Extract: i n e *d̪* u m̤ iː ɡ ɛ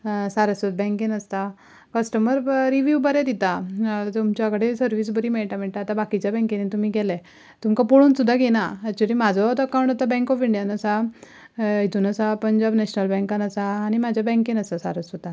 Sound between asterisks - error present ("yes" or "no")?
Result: yes